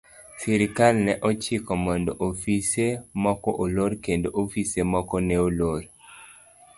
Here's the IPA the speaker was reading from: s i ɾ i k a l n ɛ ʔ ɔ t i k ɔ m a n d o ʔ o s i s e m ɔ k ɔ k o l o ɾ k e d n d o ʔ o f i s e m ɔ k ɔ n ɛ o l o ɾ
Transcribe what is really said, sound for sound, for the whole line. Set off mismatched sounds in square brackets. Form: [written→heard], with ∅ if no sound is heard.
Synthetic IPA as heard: s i ɾ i k a l n ɛ ʔ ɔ [t→t͡ʃ] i k ɔ m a n d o ʔ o [s→f] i s e m ɔ k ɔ [k→ʔ] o l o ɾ k e [d→∅] n d o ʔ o f i s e m ɔ k ɔ n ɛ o l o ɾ